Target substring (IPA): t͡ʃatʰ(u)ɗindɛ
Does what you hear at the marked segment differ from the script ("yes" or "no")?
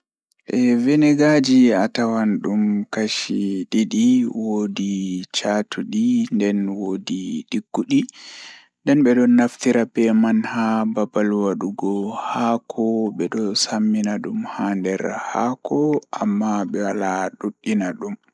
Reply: no